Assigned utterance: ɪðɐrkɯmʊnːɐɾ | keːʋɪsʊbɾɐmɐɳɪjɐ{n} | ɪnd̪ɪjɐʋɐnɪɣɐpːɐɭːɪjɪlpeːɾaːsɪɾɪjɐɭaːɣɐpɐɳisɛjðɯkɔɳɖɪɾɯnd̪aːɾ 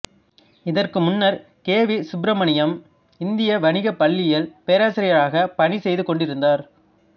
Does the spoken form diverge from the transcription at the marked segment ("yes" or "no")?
yes